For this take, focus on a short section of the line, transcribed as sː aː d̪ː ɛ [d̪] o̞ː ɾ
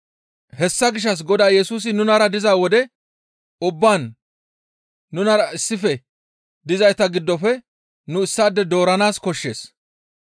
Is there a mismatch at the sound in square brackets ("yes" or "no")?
no